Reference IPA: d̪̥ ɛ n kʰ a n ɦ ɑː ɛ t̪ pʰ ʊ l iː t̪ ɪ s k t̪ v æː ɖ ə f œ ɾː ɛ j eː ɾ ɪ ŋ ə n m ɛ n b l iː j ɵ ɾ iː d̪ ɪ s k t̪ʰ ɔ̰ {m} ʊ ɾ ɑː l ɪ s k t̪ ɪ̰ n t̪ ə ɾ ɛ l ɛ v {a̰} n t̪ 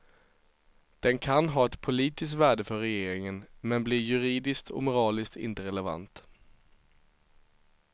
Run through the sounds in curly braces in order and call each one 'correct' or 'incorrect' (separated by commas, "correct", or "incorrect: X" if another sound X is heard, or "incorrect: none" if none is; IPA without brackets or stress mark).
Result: correct, correct